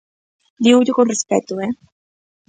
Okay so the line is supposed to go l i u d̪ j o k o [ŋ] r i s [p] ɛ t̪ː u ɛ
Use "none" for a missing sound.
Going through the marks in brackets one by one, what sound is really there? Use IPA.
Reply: n, p

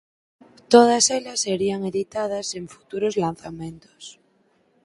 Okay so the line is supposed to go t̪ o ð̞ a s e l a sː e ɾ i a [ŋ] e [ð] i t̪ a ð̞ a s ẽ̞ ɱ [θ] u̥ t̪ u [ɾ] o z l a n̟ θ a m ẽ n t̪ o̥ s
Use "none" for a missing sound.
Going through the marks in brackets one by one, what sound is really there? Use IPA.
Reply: ŋ, ð, f, ɾ

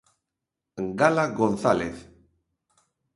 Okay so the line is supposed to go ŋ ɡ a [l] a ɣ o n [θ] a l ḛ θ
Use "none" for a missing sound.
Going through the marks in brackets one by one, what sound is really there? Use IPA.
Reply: l, θ

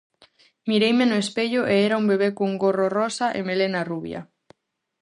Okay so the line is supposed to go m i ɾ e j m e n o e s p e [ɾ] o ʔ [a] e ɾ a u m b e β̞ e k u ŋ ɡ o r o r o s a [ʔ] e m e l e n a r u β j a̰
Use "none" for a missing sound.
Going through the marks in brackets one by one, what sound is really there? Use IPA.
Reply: ʎ, e, ʔ

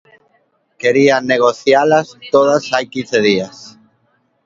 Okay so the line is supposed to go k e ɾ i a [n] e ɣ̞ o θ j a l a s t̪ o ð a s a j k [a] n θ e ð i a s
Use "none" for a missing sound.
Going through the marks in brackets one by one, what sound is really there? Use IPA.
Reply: n, i

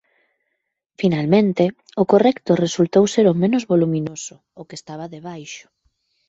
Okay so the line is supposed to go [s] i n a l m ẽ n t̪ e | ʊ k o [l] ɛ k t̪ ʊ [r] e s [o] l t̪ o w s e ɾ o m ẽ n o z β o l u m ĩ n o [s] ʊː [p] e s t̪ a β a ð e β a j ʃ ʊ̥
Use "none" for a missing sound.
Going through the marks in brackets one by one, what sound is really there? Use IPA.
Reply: f, r, r, u, s, k

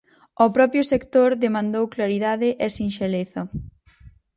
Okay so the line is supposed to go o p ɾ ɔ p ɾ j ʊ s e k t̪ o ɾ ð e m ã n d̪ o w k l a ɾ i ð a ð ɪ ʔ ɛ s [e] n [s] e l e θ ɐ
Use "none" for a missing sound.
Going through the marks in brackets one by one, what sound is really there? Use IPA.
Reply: i, ʃ

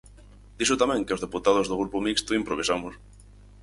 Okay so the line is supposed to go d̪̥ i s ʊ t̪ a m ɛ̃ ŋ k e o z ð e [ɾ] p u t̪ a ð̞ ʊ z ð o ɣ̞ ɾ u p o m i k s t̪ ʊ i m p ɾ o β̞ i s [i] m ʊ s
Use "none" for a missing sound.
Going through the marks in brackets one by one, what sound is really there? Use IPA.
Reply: none, a

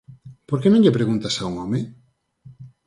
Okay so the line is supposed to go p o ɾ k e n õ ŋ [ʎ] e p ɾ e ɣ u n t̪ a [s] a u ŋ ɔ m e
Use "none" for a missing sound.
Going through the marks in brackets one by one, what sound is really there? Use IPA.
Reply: ʎ, s

